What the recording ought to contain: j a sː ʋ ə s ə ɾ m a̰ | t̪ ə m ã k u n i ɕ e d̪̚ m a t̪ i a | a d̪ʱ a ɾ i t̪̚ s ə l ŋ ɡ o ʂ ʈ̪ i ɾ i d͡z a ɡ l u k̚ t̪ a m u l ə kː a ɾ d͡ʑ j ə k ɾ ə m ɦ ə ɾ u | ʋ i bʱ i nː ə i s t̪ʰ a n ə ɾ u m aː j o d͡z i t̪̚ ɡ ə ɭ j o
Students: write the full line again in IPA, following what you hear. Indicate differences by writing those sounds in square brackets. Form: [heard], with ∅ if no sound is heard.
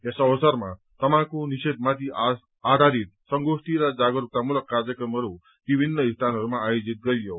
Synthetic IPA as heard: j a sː ʋ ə s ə ɾ m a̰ | t̪ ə m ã k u n i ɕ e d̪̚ m a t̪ i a | a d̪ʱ a ɾ i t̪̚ s ə [∅] ŋ ɡ o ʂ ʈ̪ i ɾ [a] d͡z a ɡ [ɾ] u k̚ t̪ a m u l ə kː a ɾ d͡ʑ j ə k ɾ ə m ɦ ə ɾ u | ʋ i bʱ i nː ə i s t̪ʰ a n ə ɾ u m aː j o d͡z i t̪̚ ɡ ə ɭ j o